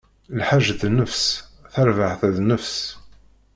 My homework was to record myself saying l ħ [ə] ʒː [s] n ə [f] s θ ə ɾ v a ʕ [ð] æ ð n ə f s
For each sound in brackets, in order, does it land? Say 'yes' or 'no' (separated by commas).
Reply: no, no, yes, no